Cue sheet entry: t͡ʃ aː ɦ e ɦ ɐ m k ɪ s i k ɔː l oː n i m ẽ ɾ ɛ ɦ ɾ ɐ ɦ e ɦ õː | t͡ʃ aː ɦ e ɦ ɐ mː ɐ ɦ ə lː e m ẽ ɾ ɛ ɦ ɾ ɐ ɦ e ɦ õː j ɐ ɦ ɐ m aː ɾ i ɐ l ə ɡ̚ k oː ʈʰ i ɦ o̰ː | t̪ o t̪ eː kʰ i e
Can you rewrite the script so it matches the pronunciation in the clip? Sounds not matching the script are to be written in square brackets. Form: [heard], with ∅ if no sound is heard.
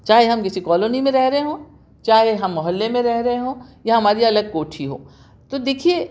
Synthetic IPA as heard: t͡ʃ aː ɦ e ɦ ɐ m k ɪ s i k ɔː l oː n i m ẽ ɾ ɛ ɦ ɾ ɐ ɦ e ɦ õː | t͡ʃ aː ɦ e ɦ ɐ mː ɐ ɦ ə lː e m ẽ ɾ ɛ ɦ ɾ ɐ ɦ e ɦ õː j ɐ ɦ ɐ m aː ɾ i ɐ l ə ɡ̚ k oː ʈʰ i ɦ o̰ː | t̪ o [d̪] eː kʰ i e